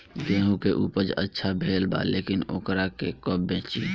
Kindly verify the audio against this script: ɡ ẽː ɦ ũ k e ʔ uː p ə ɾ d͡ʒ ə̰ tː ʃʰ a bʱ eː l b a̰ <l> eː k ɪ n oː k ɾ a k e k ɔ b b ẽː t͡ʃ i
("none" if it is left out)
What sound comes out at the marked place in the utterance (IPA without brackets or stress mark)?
l